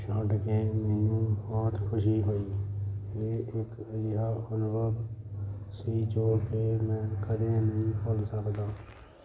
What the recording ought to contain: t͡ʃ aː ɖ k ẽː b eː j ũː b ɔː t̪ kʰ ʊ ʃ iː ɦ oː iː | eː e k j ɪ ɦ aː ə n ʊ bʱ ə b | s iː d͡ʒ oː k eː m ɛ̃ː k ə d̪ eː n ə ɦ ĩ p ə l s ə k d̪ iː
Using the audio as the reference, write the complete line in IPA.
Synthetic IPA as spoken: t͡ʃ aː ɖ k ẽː m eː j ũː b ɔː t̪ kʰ ʊ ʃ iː ɦ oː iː | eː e k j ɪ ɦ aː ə n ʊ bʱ ə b | s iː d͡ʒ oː k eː m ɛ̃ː k ə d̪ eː n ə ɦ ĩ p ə l s ə k d̪ aː

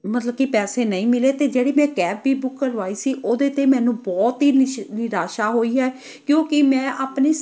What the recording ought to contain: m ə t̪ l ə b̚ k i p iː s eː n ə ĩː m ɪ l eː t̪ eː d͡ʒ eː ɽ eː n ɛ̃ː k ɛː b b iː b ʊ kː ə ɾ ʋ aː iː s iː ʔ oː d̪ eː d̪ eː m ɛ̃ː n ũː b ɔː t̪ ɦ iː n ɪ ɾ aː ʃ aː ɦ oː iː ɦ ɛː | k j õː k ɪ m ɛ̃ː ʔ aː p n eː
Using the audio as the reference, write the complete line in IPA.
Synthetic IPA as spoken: m ə t̪ l ə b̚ k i p ɛː s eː n ə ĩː m ɪ l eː t̪ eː d͡ʒ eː ɽ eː m ɛ̃ː k ɛː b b iː b ʊ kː ə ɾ ʋ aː iː s iː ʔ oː d̪ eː t̪ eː m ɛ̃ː n ũː b ɔː t̪ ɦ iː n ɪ ɾ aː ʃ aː ɦ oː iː ɦ ɛː | k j õː k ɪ m ɛ̃ː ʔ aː p n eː

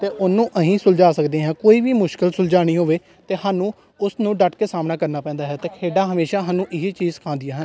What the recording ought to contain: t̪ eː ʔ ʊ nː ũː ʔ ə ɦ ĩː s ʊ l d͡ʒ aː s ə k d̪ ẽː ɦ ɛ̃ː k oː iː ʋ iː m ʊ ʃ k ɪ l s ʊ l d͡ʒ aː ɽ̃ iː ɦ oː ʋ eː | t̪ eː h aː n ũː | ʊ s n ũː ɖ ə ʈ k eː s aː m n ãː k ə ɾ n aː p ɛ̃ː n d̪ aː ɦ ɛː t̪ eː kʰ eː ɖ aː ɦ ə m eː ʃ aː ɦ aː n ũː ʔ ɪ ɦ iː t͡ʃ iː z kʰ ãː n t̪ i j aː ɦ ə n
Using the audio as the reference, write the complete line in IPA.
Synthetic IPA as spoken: t̪ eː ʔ ʊ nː ũː ʔ ə ɦ ĩː s ʊ l d͡ʒ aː s ə k d̪ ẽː ɦ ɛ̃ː k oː iː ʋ iː m ʊ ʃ k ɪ l s ʊ l d͡ʒ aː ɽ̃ iː ɦ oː ʋ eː | t̪ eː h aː n ũː | ʊ s n ũː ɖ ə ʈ k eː s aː m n aː k ə ɾ n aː p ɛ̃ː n d̪ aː ɦ ɛː t̪ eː kʰ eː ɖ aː ɦ ə m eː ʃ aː ɦ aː n ũː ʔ ɪ ɦ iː t͡ʃ iː z kʰ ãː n d̪ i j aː ɦ ə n

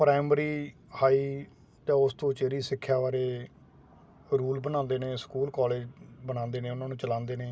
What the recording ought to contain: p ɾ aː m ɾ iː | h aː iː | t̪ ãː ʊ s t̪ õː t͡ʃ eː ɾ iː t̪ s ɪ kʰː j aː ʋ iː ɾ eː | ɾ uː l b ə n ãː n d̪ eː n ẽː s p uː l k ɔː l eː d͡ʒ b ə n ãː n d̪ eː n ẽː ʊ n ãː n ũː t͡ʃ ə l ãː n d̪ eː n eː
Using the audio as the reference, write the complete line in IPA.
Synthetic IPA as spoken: p ɾ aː m ɾ iː | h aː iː | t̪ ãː ʊ s t̪ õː t͡ʃ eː ɾ iː s ɪ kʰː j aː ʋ aː ɾ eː | ɾ uː l b ə n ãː n d̪ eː n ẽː s k uː l k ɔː l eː d͡ʒ b ə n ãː n d̪ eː n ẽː ʊ n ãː n ũː t͡ʃ ə l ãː n d̪ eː n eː

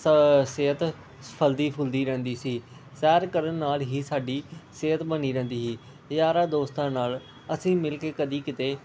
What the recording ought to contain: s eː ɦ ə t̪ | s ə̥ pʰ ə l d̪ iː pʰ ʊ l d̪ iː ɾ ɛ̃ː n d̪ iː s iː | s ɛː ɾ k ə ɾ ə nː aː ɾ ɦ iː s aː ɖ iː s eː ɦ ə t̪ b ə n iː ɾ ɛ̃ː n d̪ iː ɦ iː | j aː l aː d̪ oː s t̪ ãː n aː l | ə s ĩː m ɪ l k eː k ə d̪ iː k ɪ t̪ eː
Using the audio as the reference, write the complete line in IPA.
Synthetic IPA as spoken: s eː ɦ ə t̪ | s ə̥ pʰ ə l d̪ iː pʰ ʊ l d̪ iː ɾ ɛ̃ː n d̪ iː s iː | s ɛː ɾ k ə ɾ ə nː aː l ɦ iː s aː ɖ iː s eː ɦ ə t̪ b ə n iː ɾ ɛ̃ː n d̪ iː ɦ iː | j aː ɾ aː d̪ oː s t̪ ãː n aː l | ə s ĩː m ɪ l k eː k ə d̪ iː k ɪ t̪ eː

